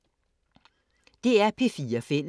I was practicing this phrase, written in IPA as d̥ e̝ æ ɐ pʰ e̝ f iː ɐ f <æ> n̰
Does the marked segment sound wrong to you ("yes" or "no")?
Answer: yes